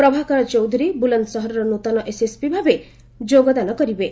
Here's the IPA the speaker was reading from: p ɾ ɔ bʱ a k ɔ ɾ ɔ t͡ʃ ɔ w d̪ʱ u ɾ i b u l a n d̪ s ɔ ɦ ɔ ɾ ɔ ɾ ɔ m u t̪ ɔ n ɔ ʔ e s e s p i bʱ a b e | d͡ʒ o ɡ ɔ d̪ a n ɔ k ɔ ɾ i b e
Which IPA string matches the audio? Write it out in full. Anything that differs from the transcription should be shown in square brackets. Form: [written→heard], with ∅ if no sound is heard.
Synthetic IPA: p ɾ ɔ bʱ a k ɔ ɾ ɔ t͡ʃ ɔ w d̪ʱ u ɾ i b u l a n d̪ s ɔ ɦ ɔ ɾ ɔ ɾ ɔ [m→n] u t̪ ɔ n ɔ ʔ e s e s p i bʱ a b e | d͡ʒ o ɡ ɔ d̪ a n ɔ k ɔ ɾ i b e